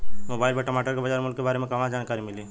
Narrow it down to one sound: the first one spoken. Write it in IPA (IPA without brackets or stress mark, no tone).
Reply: m